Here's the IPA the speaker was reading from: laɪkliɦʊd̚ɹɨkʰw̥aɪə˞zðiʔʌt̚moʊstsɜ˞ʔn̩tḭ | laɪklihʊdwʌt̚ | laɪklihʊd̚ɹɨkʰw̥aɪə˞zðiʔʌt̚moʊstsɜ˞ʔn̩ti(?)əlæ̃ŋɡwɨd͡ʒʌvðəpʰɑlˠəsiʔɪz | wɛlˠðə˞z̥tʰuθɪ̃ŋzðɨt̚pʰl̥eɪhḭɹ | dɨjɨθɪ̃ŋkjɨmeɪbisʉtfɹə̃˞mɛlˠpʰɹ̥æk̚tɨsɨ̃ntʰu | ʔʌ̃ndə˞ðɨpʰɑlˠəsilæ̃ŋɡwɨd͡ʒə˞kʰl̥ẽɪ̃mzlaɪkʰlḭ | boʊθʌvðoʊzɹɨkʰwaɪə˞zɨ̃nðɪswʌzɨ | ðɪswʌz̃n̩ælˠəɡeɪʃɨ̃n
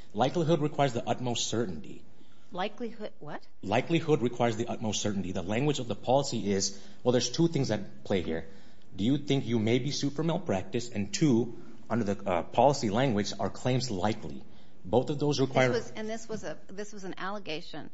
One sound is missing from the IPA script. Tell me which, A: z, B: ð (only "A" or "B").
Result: B